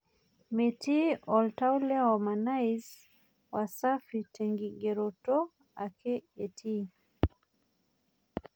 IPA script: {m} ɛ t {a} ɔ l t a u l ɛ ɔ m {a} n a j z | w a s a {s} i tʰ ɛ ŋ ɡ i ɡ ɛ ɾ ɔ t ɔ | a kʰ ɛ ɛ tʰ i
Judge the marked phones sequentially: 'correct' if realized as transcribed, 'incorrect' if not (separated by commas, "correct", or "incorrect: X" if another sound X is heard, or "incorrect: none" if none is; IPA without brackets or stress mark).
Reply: correct, incorrect: i, correct, incorrect: f